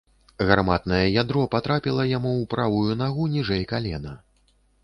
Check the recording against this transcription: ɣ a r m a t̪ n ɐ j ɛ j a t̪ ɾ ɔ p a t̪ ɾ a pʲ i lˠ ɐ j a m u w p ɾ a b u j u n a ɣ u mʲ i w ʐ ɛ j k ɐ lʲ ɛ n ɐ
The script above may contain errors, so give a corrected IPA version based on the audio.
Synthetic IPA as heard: ɣ a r m a t̪ n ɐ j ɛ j a d̪ ɾ ɔ p a t̪ ɾ a pʲ i lˠ ɐ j a m u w p ɾ a v u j u n a ɣ u nʲ i ʐ ɛ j k a lʲ ɛ n ɐ